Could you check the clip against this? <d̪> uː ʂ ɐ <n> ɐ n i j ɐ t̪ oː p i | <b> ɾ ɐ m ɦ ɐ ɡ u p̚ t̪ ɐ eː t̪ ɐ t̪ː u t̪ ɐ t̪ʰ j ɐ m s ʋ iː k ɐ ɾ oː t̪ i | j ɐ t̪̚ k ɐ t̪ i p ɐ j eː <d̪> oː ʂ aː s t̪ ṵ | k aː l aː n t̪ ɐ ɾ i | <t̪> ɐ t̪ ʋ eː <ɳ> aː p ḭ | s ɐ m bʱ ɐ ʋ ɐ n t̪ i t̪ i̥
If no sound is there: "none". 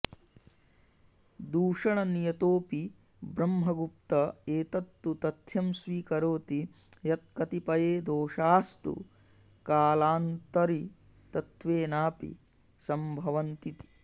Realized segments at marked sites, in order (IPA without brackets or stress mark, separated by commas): d̪, ɳ, b, d̪, t̪, n